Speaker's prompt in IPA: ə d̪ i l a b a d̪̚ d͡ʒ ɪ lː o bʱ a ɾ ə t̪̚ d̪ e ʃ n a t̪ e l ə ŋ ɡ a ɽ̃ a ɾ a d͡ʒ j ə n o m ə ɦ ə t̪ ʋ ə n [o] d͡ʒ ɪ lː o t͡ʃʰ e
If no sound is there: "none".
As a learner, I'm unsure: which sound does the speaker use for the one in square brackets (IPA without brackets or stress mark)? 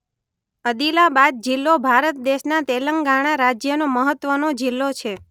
o